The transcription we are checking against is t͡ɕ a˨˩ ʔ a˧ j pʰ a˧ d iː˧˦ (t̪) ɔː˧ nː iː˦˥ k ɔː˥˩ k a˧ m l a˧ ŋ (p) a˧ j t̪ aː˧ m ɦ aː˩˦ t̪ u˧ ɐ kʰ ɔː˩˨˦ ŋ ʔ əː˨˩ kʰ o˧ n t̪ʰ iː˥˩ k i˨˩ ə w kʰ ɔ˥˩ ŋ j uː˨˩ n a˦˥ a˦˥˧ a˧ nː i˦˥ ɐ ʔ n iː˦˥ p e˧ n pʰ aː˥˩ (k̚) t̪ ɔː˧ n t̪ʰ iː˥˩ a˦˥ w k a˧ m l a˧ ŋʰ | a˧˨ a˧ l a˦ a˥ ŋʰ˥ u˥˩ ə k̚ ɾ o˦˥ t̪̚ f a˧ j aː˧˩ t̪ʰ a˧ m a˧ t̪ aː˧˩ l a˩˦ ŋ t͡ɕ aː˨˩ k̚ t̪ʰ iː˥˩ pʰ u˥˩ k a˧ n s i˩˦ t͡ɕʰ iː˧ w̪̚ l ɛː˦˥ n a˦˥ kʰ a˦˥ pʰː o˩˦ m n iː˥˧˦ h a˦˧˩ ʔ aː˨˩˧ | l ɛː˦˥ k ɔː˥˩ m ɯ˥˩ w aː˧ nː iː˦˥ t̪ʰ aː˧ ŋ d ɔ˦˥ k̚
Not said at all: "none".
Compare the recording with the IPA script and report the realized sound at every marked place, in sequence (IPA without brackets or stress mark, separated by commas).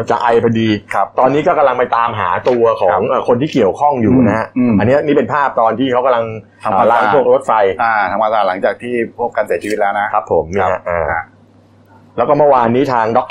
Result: t̪, p, p̚